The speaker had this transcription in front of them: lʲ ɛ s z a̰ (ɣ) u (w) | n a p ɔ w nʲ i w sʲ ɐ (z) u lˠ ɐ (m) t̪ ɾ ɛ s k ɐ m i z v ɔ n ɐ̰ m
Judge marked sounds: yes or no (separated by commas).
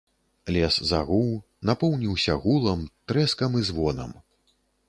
yes, yes, no, yes